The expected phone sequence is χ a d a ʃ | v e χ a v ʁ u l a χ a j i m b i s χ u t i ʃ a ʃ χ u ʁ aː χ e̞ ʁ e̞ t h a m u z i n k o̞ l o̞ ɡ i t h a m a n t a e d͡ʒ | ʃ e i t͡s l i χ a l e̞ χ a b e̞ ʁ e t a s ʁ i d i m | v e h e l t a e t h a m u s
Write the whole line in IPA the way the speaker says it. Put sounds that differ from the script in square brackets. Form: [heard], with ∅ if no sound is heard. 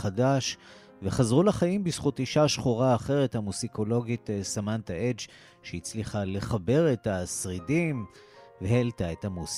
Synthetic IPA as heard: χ a d a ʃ | v e χ a [z] ʁ u l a χ a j i m b i s χ u t i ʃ a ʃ χ u ʁ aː χ e̞ ʁ e̞ t h a m u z i [∅] k o̞ l o̞ ɡ i t [s] a m a n t a e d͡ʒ | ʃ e i t͡s l i χ a l e̞ χ a b e̞ ʁ e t a s ʁ i d i m | v e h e l t a e t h a m u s